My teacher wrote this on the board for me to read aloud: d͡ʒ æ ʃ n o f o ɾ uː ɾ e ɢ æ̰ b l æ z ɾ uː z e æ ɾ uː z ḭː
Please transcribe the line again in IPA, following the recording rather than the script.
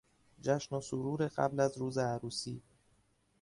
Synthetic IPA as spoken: d͡ʒ æ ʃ n o s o ɾ uː ɾ e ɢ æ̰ b l æ z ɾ uː z e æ ɾ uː s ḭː